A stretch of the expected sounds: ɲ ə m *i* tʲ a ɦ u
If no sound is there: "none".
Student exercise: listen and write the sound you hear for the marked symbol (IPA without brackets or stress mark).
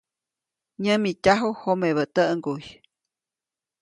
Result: i